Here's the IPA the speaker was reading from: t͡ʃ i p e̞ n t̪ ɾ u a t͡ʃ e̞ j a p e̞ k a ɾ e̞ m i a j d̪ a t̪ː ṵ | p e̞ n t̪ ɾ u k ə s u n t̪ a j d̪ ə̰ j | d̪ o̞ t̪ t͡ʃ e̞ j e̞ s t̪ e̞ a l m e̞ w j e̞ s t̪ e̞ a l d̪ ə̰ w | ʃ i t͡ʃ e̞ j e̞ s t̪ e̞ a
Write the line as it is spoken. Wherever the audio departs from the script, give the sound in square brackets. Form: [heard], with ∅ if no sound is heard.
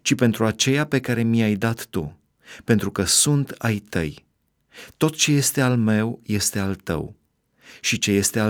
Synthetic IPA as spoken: t͡ʃ i p e̞ n t̪ ɾ u a t͡ʃ e̞ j a p e̞ k a ɾ e̞ m i a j d̪ a t̪ː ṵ | p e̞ n t̪ ɾ u k ə s u n t̪ a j [t̪] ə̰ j | [t̪] o̞ t̪ t͡ʃ e̞ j e̞ s t̪ e̞ a l m e̞ w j e̞ s t̪ e̞ a l [t̪] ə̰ w | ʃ i t͡ʃ e̞ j e̞ s t̪ e̞ a